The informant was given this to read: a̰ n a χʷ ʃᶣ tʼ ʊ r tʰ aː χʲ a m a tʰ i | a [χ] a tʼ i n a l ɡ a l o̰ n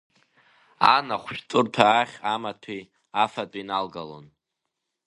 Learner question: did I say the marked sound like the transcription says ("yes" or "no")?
no